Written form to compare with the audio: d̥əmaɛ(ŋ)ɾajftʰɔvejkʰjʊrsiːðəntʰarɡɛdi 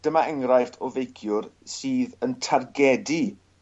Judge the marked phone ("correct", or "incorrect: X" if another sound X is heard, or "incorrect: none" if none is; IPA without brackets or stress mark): correct